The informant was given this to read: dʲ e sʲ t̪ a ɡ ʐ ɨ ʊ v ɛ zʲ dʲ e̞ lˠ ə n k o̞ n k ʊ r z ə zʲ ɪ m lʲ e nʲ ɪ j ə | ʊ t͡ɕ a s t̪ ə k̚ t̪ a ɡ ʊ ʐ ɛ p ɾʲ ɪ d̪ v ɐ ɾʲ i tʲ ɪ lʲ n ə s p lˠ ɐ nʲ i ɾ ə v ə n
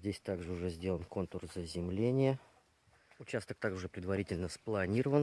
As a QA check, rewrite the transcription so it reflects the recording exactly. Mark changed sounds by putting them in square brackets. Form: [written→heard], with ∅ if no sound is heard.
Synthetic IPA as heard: dʲ e sʲ t̪ a ɡ ʐ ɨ ʊ [v→ʐ] ɛ zʲ dʲ e̞ lˠ ə n k o̞ n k ʊ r z ə zʲ ɪ m lʲ e nʲ ɪ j ə | ʊ t͡ɕ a s t̪ ə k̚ t̪ a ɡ ʊ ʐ ɛ p ɾʲ ɪ d̪ v ɐ ɾʲ i tʲ ɪ lʲ n ə s p lˠ ɐ nʲ i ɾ ə v ə n